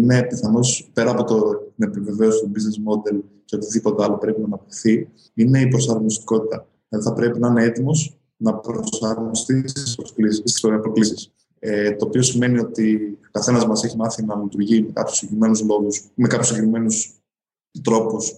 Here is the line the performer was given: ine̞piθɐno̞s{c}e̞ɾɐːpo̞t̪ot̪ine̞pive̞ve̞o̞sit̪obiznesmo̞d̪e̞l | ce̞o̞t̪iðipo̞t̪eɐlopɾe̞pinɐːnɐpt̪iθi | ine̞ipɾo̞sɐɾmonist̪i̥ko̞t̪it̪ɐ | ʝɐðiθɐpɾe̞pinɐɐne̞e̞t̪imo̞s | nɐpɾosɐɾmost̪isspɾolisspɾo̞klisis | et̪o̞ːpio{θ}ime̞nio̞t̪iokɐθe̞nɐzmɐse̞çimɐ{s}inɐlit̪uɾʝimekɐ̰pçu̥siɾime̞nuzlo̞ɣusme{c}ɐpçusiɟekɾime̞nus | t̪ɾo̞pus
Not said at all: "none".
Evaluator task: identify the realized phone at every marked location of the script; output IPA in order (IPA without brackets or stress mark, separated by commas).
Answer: p, s, θ, k